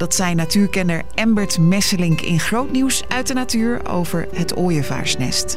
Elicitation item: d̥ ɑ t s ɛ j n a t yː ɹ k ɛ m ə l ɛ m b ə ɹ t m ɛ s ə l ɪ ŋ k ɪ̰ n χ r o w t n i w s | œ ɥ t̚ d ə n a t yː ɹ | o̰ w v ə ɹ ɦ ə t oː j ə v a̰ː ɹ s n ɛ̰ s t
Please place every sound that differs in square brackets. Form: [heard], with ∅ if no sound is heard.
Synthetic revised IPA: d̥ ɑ t s ɛ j n a t yː ɹ k ɛ [n] ə [ɹ] ɛ m b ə ɹ t m ɛ s ə l ɪ ŋ k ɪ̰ n χ r o w t n i w s | œ ɥ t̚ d ə n a t yː ɹ | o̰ w v ə ɹ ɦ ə t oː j ə v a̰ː ɹ s n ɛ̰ s t